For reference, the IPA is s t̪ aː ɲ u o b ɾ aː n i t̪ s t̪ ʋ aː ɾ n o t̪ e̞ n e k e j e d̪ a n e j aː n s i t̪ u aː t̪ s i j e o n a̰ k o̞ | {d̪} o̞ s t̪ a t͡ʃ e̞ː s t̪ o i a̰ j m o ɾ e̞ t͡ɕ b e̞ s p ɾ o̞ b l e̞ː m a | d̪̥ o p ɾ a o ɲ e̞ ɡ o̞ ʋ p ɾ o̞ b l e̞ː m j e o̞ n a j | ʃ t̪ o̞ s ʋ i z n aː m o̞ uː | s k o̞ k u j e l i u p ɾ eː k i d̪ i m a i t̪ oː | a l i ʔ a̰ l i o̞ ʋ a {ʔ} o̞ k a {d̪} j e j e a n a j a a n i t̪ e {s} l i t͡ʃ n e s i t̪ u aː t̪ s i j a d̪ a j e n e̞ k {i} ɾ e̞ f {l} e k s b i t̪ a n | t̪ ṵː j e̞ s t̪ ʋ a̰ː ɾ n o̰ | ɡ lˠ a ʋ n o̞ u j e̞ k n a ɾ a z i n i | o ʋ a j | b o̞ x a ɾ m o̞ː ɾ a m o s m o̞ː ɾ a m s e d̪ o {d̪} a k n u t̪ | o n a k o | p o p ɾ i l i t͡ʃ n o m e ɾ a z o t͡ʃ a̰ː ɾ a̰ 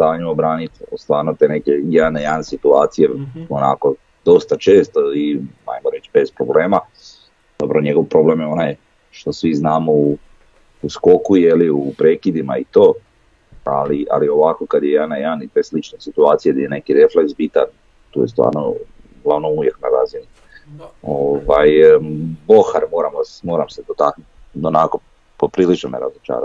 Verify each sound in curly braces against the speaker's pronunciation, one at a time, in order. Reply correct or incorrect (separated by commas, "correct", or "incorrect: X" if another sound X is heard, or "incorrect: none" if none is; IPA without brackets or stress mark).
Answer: correct, incorrect: k, correct, correct, correct, correct, incorrect: t̪